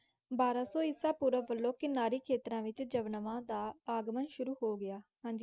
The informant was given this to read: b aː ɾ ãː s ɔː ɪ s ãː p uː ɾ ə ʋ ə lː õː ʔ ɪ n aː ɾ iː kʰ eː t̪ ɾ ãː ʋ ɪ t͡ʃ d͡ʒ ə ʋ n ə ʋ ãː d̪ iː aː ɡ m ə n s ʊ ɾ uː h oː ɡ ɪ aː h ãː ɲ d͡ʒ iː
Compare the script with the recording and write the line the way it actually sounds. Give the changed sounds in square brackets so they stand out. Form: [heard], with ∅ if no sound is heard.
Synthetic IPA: b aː ɾ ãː s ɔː ɪ s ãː p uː ɾ ə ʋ ə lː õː [k] ɪ n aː ɾ iː kʰ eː t̪ ɾ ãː ʋ ɪ t͡ʃ d͡ʒ ə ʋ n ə ʋ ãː d̪ [aː] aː ɡ m ə n [ʃ] ʊ ɾ uː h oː ɡ ɪ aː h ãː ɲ d͡ʒ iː